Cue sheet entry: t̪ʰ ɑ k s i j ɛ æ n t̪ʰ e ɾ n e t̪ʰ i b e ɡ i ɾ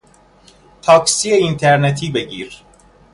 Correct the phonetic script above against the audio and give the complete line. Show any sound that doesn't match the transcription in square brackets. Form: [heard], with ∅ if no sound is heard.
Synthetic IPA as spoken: t̪ʰ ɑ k s i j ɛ [i] n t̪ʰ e ɾ n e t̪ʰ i b e [ɟ] i ɾ